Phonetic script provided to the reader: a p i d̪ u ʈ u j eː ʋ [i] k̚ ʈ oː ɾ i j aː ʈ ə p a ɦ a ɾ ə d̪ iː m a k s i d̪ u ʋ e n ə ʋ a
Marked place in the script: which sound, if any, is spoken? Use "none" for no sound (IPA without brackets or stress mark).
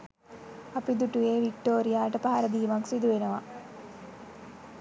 i